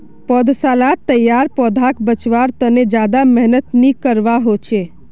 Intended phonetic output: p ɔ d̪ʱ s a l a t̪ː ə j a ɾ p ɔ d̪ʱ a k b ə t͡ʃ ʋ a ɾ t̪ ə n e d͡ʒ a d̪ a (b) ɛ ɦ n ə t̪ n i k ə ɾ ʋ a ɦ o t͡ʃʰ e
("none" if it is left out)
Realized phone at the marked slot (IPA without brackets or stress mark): m